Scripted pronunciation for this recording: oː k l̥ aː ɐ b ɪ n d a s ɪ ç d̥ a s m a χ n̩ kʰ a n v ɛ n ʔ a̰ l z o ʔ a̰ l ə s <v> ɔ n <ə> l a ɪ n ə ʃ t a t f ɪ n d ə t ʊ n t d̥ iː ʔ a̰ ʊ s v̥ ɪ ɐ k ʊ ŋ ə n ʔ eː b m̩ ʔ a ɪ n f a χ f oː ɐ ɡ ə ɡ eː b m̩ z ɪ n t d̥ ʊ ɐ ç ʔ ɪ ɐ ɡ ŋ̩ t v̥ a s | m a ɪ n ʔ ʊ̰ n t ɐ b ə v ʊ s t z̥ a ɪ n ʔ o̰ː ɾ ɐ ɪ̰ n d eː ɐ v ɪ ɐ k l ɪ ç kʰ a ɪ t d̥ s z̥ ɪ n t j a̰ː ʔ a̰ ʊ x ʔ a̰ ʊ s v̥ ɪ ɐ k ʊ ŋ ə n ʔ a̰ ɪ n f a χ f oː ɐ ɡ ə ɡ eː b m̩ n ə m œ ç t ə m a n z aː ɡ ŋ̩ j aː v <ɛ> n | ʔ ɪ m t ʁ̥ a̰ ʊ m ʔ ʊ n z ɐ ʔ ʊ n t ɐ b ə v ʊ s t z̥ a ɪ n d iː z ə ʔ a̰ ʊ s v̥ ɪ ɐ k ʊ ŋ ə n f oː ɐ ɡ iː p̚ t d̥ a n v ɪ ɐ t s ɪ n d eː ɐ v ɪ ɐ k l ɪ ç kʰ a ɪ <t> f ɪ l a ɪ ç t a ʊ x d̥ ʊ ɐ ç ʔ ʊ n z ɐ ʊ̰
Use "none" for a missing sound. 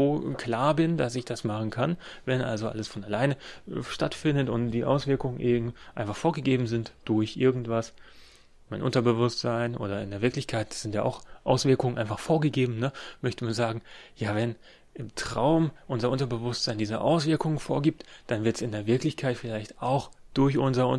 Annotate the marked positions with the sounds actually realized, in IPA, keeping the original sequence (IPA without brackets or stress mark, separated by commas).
f, a, ɛ, t